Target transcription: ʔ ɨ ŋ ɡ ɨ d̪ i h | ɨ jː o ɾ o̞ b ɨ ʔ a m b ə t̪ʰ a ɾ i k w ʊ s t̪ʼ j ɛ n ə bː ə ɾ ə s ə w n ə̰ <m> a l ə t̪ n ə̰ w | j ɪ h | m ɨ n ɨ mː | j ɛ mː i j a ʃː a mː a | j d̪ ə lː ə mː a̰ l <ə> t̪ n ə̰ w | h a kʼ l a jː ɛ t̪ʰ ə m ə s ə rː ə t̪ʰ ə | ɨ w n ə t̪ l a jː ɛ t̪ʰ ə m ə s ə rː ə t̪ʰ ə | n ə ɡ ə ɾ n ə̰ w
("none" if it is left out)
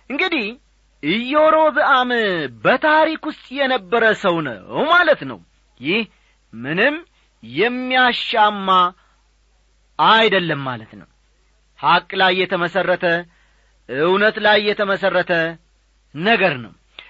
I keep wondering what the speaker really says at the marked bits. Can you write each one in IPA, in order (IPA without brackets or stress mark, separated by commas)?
m, ə